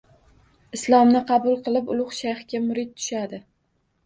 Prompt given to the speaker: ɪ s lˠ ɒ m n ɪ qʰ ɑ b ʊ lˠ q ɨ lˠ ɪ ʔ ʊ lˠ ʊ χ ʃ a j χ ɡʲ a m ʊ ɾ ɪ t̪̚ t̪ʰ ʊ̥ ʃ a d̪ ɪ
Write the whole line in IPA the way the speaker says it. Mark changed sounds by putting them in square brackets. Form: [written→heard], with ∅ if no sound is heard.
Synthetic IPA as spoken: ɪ s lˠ ɒ m n ɪ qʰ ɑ b ʊ lˠ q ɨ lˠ ɪ [ʔ→p] ʊ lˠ ʊ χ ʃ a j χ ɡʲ a m ʊ ɾ ɪ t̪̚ t̪ʰ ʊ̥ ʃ a d̪ ɪ